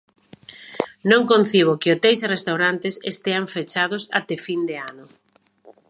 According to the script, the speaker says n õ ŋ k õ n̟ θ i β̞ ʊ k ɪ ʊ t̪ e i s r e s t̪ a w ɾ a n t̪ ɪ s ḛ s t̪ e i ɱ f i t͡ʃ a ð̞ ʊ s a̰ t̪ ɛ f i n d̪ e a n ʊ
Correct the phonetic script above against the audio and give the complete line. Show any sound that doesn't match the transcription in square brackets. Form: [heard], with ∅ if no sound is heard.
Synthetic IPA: n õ ŋ k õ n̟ θ i β̞ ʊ k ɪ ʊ t̪ e [j] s r e s t̪ a w ɾ a n t̪ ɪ s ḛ s t̪ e [a] ɱ f [e] t͡ʃ a ð̞ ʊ s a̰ t̪ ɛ f i n d̪ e a n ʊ